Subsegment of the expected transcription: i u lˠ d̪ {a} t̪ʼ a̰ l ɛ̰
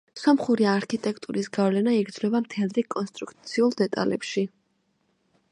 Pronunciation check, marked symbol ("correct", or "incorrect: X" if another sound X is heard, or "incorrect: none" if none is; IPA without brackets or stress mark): incorrect: ɛ